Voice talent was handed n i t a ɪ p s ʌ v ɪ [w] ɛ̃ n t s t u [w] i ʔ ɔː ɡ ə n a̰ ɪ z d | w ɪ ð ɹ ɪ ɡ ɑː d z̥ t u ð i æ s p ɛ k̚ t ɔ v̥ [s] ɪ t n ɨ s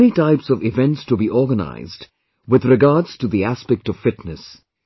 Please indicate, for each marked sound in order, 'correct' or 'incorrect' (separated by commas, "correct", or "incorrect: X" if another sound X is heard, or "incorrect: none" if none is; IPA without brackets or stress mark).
incorrect: v, incorrect: b, incorrect: f